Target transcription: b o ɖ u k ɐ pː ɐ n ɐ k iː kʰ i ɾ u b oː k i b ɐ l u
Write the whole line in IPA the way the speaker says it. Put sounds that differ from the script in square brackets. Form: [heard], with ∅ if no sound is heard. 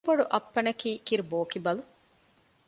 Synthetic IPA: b o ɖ u [ʔ] ɐ pː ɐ n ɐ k iː [k] i ɾ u b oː k i b ɐ l u